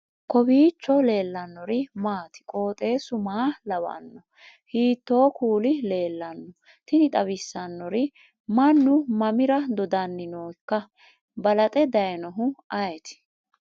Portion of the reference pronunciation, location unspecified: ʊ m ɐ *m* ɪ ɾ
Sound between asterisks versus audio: correct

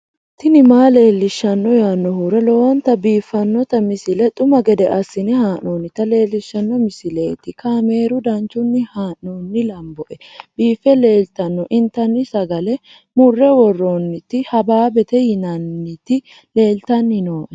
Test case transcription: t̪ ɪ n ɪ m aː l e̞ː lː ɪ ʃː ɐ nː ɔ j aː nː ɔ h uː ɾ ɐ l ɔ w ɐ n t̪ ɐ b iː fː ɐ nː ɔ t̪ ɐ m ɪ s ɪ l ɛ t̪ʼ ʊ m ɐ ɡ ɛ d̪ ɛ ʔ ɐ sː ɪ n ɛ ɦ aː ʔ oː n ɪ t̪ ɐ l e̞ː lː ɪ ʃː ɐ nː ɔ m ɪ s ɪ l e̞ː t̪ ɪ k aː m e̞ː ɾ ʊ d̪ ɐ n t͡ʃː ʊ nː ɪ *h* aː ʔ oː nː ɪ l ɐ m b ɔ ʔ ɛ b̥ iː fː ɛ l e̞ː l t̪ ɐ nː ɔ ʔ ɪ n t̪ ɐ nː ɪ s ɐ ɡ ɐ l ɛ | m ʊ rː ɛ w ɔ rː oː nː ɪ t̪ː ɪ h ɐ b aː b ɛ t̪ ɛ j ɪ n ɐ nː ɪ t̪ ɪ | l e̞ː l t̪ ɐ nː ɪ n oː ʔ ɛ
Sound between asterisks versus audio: correct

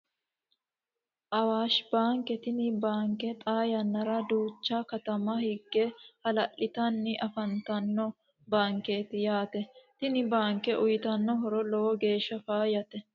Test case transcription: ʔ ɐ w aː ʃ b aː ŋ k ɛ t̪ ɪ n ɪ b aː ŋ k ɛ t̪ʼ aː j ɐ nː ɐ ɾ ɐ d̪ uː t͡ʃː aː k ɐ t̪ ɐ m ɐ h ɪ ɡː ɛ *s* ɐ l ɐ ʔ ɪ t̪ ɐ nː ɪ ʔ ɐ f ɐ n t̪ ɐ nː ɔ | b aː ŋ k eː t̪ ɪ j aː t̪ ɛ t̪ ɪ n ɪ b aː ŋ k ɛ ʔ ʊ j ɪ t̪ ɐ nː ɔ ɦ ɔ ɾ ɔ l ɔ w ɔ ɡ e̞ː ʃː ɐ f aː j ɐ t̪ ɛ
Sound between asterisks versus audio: incorrect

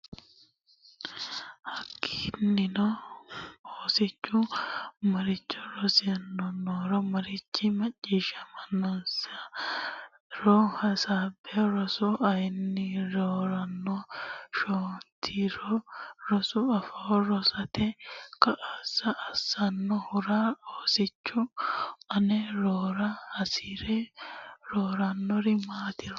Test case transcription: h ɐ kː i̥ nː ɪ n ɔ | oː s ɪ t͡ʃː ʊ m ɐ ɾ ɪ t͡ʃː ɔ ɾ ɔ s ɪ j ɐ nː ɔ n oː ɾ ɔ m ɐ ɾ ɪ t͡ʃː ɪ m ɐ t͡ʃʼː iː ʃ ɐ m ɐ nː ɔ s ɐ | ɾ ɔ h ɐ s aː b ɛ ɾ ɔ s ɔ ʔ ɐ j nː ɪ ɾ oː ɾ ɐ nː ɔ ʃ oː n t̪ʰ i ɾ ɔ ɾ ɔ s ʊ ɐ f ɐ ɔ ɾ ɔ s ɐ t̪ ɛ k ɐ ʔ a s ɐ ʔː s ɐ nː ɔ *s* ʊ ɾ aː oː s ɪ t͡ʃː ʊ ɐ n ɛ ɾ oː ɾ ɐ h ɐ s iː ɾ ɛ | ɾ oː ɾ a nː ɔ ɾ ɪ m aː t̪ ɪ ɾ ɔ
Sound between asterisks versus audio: incorrect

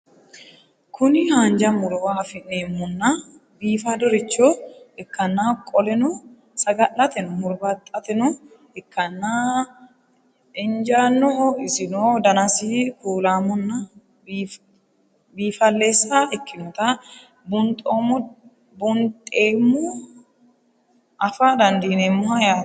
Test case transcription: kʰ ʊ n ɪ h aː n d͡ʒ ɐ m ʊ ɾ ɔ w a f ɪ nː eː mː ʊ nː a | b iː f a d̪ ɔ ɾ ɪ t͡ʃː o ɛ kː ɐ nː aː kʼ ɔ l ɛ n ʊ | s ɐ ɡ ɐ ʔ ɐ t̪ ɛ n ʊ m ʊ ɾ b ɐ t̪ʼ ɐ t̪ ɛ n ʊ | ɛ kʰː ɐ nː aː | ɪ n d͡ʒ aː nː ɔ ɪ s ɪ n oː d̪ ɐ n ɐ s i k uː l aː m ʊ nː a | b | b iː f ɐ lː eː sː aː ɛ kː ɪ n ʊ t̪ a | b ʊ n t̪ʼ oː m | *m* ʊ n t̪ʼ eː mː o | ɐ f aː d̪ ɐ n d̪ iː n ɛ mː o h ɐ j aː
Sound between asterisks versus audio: incorrect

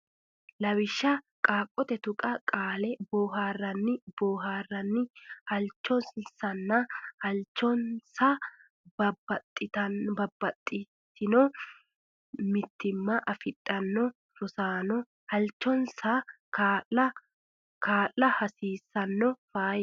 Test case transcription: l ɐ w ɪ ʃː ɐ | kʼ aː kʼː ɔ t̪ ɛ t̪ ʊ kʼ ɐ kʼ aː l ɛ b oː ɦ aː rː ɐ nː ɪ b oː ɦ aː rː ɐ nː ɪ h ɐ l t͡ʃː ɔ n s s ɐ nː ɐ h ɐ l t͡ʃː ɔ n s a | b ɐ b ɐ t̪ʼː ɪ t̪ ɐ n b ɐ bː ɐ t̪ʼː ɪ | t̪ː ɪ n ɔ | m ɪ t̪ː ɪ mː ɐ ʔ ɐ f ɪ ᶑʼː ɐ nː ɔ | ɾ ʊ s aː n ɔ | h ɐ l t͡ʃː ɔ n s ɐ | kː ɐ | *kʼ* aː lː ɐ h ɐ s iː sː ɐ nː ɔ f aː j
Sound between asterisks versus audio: incorrect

